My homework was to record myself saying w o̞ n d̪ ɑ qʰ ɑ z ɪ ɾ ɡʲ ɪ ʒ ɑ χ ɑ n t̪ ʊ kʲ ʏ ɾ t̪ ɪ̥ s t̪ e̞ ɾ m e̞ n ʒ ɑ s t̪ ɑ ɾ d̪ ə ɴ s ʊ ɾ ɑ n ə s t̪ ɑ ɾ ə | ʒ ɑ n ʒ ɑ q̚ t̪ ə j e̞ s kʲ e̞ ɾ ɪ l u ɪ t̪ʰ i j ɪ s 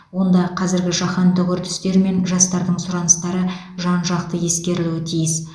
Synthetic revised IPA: w o̞ n d̪ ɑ qʰ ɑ z ɪ ɾ ɡʲ ɪ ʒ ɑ χ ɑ n t̪ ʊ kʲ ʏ ɾ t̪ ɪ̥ s t̪ e̞ ɾ m e̞ n ʒ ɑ s t̪ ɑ ɾ d̪ ə ɴ s ʊ ɾ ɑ n ə s t̪ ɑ ɾ ə | ʒ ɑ n ʒ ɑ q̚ t̪ ə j e̞ s kʲ e̞ ɾ ɪ l u ɪ t̪ʰ i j ɪ s